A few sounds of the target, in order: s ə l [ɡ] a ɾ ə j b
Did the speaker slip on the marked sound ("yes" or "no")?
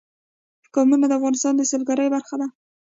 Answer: no